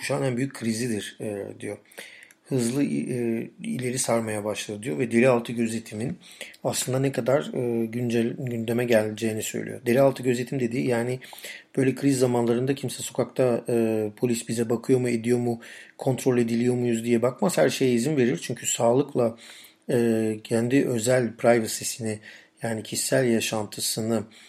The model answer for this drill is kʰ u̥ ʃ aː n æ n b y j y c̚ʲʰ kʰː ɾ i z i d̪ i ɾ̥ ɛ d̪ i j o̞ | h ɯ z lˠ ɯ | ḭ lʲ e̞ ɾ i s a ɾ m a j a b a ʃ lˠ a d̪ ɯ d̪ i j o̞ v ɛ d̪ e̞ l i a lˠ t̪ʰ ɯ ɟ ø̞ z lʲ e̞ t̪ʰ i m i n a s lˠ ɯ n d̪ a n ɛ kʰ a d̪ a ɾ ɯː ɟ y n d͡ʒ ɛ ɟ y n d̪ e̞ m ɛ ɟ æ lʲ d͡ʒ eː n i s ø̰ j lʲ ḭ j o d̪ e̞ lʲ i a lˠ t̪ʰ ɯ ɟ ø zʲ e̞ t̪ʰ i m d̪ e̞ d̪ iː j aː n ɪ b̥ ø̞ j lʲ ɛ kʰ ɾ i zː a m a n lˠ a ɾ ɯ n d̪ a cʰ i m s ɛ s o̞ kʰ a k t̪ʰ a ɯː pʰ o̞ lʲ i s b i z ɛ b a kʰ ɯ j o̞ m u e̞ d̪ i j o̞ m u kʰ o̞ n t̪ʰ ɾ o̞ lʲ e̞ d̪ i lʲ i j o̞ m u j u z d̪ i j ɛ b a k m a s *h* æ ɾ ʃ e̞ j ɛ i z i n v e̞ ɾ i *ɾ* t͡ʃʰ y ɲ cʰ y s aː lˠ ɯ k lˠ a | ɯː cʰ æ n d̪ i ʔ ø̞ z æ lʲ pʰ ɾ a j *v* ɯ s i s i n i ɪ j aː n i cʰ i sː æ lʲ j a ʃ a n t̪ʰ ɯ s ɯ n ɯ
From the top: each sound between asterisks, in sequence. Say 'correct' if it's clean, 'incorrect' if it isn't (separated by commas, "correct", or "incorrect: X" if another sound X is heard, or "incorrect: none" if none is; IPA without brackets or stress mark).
correct, correct, correct